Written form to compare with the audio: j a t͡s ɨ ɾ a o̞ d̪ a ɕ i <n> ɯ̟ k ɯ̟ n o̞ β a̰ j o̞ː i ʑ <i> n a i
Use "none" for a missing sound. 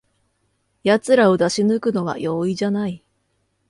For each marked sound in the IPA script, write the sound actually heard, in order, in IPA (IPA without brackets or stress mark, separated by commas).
n, a